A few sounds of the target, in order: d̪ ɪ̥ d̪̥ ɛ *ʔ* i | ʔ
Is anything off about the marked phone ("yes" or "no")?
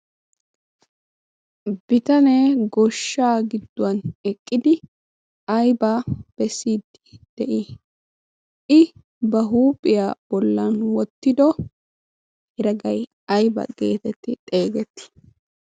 no